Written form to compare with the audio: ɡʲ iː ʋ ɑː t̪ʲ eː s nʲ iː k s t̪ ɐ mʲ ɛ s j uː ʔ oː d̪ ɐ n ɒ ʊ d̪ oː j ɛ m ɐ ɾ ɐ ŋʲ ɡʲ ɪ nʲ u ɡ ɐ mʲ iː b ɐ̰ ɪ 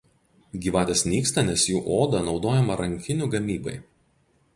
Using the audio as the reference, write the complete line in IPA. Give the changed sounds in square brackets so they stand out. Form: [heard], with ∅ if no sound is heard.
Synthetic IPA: ɡʲ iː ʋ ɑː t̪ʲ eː s nʲ iː k s t̪ ɐ [nʲ] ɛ s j uː ʔ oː d̪ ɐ n ɒ ʊ d̪ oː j ɛ m ɐ ɾ ɐ ŋʲ [kʲ] ɪ nʲ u ɡ ɐ mʲ iː b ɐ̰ ɪ